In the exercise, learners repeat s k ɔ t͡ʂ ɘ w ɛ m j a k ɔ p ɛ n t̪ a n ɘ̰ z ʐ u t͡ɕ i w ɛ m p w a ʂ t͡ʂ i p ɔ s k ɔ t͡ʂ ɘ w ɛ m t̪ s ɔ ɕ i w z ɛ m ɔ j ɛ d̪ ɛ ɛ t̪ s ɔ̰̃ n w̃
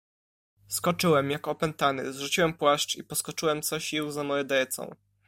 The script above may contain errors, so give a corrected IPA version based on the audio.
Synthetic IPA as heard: s k ɔ t͡ʂ ɘ w ɛ m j a k ɔ p ɛ n t̪ a n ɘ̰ z ʐ u t͡ɕ i w ɛ m p w a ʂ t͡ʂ i p ɔ s k ɔ t͡ʂ ɘ w ɛ m t̪ s ɔ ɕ i w z a m ɔ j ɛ d̪ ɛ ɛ t̪ s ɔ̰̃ w̃